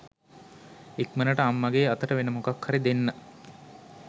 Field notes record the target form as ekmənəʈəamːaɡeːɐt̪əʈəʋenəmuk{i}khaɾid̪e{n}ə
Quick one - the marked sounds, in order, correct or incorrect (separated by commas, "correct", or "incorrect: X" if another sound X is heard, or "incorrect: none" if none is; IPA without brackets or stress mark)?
incorrect: a, incorrect: nː